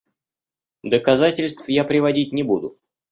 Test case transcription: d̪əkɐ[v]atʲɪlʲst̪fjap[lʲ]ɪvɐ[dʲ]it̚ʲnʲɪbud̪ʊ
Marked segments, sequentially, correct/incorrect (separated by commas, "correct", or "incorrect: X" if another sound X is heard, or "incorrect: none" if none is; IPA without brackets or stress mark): incorrect: z, incorrect: ɾʲ, correct